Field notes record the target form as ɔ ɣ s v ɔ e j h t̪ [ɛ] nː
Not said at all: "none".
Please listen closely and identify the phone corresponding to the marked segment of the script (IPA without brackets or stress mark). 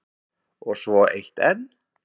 ɛ